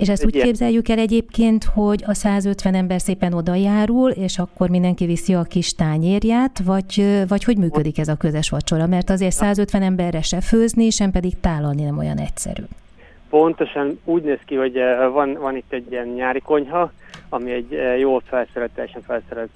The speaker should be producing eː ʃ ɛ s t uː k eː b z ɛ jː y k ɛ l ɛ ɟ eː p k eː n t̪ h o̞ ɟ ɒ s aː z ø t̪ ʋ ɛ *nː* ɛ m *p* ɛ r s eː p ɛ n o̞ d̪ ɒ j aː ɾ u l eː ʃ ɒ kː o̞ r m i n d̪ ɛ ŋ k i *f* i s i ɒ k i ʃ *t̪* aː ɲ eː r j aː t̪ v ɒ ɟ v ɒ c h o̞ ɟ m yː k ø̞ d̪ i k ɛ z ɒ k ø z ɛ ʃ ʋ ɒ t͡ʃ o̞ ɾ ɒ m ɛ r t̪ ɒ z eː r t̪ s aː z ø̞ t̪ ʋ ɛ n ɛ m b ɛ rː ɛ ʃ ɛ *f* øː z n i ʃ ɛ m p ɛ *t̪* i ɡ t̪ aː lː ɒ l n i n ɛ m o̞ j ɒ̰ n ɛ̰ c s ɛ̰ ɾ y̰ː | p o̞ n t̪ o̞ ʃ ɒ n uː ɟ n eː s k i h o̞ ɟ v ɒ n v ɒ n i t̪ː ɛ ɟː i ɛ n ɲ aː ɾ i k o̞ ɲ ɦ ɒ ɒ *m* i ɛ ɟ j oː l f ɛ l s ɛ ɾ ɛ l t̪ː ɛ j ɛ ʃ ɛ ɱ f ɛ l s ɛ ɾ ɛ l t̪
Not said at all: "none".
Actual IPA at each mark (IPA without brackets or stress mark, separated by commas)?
n, b, v, t̪, f, d̪, m